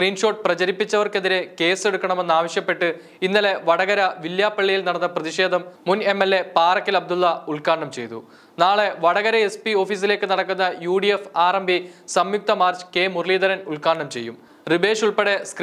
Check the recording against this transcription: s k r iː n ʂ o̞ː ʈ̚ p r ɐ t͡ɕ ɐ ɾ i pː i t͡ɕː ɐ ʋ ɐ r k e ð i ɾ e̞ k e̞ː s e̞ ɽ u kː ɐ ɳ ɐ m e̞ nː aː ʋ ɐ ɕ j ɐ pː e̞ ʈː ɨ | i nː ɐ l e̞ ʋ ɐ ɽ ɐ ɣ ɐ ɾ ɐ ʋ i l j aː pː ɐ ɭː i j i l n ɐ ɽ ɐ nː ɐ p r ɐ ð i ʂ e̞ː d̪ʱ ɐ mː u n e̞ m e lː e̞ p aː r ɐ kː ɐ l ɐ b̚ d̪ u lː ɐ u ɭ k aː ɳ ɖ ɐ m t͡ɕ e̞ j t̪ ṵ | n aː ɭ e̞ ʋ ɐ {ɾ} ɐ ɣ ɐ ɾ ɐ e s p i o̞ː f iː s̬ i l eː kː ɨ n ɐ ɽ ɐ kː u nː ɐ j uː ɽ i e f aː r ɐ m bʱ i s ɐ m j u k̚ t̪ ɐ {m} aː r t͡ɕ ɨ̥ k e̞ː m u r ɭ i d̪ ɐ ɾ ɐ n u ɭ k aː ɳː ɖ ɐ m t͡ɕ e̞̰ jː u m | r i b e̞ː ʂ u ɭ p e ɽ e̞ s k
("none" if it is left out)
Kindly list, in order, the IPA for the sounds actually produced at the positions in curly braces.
ɽ, m

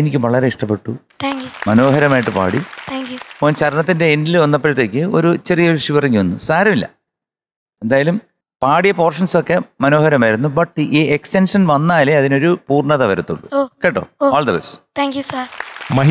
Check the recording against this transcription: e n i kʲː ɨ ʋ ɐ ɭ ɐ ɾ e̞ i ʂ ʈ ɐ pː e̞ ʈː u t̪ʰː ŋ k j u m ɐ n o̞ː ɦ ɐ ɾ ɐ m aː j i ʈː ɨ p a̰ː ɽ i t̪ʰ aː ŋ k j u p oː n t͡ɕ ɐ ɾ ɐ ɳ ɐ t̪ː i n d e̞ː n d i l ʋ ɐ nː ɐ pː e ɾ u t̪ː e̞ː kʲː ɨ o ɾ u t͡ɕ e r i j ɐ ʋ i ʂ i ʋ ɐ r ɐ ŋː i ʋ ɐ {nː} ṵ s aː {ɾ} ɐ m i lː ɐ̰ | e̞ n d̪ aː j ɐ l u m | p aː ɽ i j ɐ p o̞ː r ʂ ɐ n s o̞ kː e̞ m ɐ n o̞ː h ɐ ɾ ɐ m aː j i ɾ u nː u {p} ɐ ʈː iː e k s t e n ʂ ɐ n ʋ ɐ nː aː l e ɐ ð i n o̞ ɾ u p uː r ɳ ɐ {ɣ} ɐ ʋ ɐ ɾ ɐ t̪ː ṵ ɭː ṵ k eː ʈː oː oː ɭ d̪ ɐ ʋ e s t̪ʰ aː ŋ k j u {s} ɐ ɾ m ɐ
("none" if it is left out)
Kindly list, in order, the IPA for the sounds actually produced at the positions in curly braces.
nː, ɾ, b, ð, s

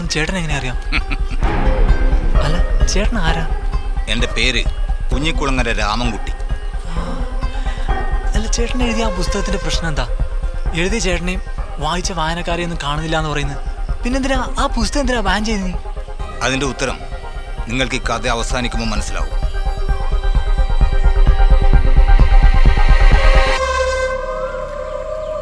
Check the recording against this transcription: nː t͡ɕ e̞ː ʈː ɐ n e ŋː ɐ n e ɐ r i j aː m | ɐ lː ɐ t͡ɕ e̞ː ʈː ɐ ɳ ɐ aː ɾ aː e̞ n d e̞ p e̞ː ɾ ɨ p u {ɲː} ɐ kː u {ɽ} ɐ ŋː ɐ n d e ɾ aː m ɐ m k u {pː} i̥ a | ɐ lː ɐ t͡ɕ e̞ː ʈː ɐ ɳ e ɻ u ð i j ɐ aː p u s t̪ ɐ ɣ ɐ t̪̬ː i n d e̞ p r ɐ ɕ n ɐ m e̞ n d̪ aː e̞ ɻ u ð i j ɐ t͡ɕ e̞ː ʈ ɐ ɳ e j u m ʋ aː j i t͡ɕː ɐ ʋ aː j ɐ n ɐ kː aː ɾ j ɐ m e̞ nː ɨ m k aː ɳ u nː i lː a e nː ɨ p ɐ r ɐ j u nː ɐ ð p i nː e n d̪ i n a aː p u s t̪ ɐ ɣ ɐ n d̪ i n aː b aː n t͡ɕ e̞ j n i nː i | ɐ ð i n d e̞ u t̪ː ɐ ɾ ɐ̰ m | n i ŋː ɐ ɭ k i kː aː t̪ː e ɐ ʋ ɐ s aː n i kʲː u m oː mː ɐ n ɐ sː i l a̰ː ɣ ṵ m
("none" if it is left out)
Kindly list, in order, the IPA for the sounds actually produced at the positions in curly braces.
ɲː, ɭ, ʈː

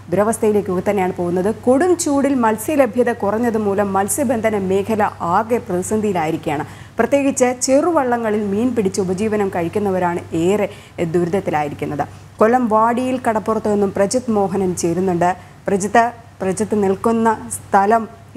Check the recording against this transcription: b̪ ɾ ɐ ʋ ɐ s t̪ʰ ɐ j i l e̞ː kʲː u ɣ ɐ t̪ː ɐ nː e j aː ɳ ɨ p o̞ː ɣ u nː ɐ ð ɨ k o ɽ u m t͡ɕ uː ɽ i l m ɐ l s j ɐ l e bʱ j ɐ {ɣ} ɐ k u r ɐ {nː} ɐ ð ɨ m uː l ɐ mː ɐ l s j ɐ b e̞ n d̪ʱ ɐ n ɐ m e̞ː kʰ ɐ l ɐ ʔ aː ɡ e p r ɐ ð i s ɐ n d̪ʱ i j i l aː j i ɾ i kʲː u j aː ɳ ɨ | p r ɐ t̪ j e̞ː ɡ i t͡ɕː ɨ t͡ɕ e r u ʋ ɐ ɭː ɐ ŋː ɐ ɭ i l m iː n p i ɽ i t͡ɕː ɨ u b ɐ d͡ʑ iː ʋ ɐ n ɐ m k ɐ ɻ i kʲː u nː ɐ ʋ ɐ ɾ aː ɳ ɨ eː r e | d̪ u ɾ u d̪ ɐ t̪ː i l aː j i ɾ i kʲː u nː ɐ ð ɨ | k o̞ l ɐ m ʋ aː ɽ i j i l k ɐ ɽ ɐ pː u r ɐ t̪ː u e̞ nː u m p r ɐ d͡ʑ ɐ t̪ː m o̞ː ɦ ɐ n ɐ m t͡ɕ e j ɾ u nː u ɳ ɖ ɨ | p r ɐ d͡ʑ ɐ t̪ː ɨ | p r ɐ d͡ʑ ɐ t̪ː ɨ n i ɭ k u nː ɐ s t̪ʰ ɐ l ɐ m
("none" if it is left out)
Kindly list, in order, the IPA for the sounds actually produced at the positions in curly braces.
ð, ɲː

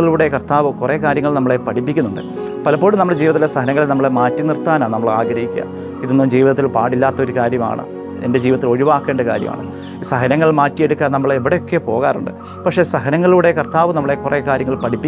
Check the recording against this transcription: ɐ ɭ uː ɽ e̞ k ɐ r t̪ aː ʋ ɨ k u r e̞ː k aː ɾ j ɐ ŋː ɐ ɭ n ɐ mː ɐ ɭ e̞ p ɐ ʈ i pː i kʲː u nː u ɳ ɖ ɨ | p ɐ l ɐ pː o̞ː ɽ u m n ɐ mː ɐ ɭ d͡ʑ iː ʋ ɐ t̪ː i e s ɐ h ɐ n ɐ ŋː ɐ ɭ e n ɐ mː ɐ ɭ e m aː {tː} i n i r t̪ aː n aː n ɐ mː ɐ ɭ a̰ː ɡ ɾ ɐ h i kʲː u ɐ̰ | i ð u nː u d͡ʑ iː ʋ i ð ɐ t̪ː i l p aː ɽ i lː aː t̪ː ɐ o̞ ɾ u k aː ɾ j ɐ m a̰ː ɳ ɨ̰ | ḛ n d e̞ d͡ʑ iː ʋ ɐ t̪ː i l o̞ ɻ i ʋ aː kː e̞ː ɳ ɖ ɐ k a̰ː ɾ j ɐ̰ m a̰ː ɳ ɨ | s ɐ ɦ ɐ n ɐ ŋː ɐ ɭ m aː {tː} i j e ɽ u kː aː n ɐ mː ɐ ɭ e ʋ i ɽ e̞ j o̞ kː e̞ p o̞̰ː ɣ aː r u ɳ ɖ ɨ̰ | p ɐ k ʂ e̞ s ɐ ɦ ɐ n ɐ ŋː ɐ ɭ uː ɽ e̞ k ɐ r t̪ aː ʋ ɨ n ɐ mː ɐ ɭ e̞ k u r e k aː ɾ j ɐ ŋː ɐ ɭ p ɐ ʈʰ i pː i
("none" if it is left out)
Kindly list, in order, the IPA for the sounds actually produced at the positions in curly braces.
tː, tː

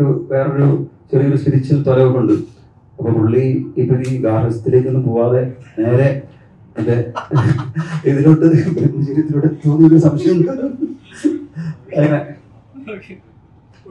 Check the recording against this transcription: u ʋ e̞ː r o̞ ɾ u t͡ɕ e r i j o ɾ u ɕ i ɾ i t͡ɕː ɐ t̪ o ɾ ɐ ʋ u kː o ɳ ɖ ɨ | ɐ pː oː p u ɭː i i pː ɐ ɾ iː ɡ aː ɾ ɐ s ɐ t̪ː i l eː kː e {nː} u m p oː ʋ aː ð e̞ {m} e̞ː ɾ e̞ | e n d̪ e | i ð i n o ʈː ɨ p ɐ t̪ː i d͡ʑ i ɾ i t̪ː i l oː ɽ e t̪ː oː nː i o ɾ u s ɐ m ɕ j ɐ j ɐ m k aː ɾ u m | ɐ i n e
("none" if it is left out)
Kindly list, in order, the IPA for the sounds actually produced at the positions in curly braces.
nː, n

